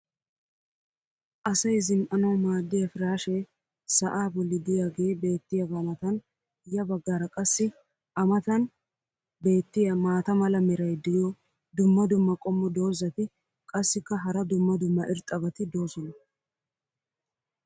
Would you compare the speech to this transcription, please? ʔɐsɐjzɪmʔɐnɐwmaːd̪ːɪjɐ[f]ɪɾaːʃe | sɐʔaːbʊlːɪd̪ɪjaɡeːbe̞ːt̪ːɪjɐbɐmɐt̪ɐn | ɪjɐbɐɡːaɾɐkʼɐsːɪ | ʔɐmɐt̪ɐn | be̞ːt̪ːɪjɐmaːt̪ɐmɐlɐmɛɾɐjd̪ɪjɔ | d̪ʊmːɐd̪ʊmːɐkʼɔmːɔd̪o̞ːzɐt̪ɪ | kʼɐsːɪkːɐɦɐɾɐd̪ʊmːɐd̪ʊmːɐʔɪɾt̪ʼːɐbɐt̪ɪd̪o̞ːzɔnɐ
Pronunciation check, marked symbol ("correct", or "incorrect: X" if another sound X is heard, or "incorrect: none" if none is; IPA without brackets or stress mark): correct